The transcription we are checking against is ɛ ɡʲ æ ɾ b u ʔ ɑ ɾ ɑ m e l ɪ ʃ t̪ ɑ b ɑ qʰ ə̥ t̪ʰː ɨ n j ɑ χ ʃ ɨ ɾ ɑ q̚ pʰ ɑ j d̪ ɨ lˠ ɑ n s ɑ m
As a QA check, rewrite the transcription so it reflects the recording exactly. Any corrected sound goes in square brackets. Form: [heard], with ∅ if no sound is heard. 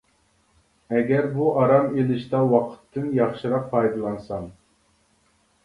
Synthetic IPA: ɛ ɡʲ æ ɾ b u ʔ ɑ ɾ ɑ m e l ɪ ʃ t̪ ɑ [w] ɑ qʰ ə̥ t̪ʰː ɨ n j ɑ χ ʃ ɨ ɾ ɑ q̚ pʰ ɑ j d̪ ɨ lˠ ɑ n s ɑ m